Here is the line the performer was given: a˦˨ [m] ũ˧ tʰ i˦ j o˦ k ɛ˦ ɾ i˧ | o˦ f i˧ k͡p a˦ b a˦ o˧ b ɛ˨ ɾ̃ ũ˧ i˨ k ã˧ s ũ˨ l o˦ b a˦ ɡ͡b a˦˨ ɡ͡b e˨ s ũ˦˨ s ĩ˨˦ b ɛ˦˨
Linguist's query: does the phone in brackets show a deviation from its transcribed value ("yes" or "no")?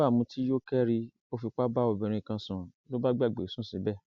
no